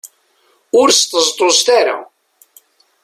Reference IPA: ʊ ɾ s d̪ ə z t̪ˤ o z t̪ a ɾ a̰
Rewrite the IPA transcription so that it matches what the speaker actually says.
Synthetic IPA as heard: ʊ ɾ s t̪ ə z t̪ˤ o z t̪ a ɾ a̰